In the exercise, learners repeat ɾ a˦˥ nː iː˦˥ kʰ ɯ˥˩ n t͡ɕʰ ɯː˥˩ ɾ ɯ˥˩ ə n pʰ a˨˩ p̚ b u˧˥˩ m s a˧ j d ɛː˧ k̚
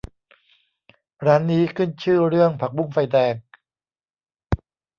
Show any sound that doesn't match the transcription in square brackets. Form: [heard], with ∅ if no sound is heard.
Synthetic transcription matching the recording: ɾ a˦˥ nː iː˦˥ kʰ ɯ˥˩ n t͡ɕʰ ɯː˥˩ ɾ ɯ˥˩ ə [ŋ] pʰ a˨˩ [k̚] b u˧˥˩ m [f] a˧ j d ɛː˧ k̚